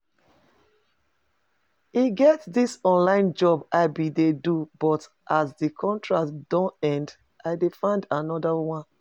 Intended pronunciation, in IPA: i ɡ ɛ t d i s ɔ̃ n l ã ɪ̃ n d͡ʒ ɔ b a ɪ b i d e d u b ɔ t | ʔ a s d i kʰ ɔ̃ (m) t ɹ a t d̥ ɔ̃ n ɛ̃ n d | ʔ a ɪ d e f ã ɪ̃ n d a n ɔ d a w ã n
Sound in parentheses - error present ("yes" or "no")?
yes